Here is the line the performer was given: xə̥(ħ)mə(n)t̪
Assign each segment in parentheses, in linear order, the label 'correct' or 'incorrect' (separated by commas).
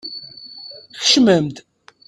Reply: incorrect, incorrect